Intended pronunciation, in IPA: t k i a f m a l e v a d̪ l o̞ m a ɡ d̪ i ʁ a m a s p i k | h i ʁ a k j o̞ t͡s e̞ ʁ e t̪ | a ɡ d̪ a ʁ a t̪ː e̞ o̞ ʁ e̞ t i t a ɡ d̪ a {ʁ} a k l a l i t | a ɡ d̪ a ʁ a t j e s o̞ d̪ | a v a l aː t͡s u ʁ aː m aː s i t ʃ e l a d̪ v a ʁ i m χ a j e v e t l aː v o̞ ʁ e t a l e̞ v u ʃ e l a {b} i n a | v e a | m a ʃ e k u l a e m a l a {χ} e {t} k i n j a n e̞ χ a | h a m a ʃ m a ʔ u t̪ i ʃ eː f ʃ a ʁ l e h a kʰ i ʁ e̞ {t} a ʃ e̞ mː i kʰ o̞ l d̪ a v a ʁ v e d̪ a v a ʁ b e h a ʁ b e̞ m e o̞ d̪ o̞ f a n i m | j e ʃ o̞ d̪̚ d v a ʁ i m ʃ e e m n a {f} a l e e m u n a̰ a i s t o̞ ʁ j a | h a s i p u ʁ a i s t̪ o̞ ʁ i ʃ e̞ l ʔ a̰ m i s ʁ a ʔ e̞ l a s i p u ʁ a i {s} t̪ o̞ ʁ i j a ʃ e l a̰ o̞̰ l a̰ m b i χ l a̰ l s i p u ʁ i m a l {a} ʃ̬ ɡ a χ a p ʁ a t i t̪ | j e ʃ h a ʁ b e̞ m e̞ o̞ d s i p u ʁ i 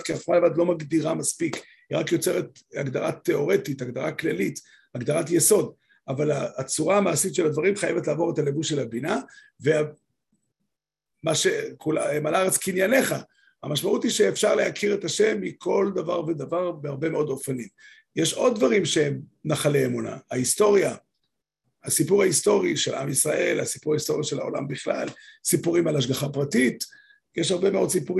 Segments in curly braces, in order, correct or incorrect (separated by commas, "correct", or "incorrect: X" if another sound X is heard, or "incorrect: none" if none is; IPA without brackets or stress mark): correct, correct, incorrect: ʁ, incorrect: t͡s, correct, incorrect: χ, correct, correct